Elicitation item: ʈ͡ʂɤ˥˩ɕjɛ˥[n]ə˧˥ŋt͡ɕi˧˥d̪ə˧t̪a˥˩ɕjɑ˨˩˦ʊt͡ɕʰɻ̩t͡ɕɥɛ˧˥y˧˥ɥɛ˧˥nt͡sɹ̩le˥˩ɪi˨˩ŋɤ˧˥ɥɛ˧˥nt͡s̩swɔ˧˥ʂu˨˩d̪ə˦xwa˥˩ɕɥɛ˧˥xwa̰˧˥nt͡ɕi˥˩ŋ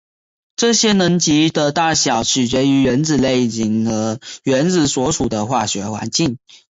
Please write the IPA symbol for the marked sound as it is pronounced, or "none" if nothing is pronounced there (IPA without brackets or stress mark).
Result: n